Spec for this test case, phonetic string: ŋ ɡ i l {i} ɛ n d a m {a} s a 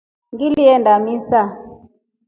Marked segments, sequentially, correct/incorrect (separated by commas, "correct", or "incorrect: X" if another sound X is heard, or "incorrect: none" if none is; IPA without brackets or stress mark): correct, incorrect: i